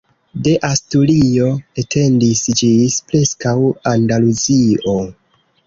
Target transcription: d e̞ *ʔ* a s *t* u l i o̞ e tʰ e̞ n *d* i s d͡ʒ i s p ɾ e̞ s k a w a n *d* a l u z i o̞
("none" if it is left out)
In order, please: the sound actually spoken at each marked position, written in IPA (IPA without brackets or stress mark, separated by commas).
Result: ʔ, t, d, d